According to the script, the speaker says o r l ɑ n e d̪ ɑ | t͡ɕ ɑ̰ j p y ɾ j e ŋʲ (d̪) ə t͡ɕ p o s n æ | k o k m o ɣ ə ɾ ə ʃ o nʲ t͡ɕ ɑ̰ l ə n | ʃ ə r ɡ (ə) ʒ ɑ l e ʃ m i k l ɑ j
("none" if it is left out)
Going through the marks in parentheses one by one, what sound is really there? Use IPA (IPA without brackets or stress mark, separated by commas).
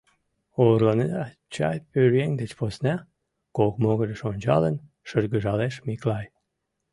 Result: d̪, ə